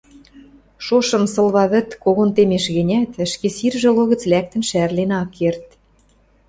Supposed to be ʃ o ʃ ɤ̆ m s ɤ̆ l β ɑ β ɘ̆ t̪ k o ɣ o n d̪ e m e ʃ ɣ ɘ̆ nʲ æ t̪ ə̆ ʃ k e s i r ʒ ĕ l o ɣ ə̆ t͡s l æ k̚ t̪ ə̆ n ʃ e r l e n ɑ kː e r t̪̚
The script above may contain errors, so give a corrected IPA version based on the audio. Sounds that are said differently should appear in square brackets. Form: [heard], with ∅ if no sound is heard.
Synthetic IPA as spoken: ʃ o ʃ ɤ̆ m s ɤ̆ l β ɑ β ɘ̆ t̪ k o ɣ o n [t̪] e m e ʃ ɣ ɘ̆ nʲ æ t̪ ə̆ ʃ k e s i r ʒ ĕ l o ɣ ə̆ t͡s l æ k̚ t̪ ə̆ n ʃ [æ] r l e n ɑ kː e r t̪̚